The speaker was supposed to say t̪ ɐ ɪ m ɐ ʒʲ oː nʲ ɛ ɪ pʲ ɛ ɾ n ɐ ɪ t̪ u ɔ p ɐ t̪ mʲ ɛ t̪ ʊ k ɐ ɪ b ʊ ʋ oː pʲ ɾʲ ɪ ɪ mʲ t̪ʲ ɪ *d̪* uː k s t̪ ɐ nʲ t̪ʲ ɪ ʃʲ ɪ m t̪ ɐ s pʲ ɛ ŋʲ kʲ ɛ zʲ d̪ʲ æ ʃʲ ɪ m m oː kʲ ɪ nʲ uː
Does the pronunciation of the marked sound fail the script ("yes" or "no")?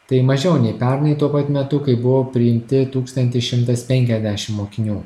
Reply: yes